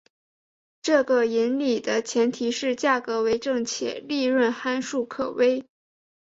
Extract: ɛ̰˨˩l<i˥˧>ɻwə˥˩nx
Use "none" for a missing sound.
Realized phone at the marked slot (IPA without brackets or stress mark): i˥˧